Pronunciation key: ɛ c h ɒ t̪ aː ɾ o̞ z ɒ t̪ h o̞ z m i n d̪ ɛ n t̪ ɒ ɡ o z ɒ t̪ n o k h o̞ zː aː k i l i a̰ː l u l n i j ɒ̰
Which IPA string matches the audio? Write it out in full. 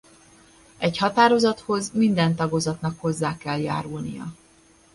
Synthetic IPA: ɛ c h ɒ t̪ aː ɾ o̞ z ɒ t̪ h o̞ z m i n d̪ ɛ n t̪ ɒ ɡ o z ɒ t̪ n ɒ k h o̞ zː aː k ɛ l j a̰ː ɾ u l n i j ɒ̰